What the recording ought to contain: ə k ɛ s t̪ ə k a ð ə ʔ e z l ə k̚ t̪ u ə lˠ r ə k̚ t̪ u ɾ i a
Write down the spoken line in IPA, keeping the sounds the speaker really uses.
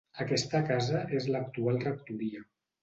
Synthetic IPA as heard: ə k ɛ s t̪ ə k a z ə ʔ e z l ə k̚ t̪ u a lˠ r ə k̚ t̪ u ɾ i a

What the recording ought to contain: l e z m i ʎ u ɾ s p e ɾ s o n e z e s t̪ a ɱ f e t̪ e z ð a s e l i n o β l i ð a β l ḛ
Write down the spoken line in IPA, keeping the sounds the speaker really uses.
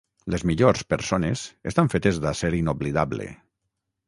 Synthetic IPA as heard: l e z m i ʎ o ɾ s p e ɾ s o n e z e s t̪ a ɱ f e t̪ e z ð a s e ɾ i n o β l i ð a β l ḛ

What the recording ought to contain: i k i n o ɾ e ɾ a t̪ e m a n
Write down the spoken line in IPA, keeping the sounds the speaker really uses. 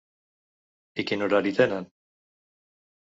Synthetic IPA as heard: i k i n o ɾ a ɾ i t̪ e n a n

